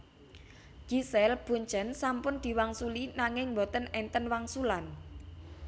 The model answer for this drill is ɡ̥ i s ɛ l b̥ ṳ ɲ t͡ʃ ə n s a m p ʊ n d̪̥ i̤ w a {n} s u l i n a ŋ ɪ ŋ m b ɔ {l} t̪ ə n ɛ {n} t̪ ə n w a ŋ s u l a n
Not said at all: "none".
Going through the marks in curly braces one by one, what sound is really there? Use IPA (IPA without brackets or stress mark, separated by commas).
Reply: ŋ, none, n